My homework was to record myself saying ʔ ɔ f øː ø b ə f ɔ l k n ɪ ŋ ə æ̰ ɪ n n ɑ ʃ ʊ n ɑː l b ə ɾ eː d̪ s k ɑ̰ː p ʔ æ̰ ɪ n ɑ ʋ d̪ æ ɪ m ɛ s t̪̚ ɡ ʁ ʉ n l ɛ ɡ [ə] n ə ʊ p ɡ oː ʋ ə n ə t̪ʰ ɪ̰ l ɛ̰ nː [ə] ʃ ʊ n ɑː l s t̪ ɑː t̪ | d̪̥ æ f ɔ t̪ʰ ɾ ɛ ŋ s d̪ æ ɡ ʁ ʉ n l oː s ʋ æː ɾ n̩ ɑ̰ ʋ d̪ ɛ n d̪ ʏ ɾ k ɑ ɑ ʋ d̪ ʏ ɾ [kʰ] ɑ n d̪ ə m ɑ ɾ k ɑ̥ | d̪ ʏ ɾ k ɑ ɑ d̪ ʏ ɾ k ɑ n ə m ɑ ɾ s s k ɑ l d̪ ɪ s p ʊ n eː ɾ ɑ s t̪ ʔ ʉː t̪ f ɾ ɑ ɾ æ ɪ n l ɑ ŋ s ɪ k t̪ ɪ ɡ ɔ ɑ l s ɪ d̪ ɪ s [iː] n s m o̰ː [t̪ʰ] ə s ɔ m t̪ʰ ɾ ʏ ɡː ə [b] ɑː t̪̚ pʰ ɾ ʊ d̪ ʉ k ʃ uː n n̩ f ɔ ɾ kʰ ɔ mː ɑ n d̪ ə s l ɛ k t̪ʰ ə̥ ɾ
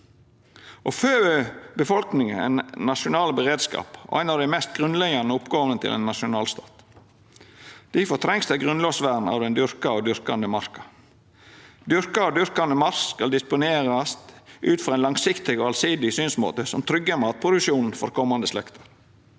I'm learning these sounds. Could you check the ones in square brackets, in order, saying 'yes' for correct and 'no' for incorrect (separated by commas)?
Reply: no, no, no, no, no, no